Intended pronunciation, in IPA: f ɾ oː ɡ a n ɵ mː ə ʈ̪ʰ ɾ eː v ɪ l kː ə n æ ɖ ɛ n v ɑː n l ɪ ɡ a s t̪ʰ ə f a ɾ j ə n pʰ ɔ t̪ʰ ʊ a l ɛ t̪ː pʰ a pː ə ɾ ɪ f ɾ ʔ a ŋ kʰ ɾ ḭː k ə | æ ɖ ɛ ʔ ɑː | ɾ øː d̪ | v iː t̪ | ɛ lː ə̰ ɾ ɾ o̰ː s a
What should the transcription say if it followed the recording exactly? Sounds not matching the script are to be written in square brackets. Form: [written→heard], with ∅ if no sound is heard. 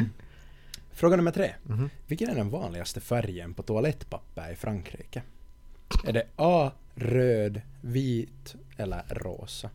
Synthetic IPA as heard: f ɾ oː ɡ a n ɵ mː ə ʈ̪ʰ ɾ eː v ɪ l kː ə n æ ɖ ɛ n v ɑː n l ɪ ɡ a s [t̪ʰ→t̪] ə f [a→æ] ɾ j ə n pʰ ɔ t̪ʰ ʊ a l ɛ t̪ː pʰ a pː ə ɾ ɪ f ɾ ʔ a ŋ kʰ ɾ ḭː k ə | æ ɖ ɛ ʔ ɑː | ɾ øː d̪ | v iː t̪ | ɛ lː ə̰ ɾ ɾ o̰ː s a